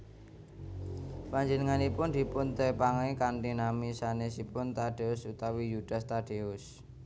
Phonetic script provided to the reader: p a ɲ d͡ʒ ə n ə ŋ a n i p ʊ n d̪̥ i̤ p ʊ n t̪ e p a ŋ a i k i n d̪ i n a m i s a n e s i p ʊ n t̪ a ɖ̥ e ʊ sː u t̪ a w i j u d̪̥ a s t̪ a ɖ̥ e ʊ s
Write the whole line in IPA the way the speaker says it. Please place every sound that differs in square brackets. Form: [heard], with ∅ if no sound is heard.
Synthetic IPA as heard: p a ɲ d͡ʒ ə n ə ŋ a n i p ʊ n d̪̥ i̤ p ʊ n t̪ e p a ŋ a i k [a] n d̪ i n a m i s a n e s i p ʊ n t̪ a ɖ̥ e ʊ [s] u t̪ a w i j u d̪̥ a s t̪ a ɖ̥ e ʊ s